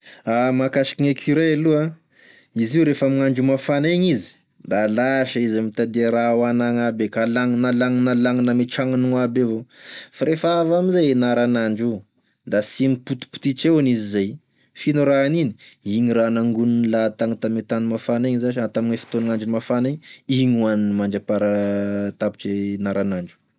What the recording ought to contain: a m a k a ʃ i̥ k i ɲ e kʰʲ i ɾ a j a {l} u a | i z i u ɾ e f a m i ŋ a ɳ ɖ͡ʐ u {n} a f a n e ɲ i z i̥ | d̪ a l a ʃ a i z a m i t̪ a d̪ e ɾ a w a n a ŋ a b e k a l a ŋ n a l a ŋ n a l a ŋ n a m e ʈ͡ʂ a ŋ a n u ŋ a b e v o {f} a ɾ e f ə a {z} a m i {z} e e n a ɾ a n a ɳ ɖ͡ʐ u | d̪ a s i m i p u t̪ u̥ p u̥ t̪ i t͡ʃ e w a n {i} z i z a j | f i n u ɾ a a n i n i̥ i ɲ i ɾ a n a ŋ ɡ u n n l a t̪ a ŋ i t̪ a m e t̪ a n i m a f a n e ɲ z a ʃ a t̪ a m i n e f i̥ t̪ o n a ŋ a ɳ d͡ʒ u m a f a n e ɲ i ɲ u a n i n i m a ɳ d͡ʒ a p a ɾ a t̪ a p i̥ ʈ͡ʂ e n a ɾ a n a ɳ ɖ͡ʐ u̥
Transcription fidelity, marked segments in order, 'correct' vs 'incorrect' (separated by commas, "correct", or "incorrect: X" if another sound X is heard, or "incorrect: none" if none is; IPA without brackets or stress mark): correct, incorrect: m, correct, incorrect: v, correct, correct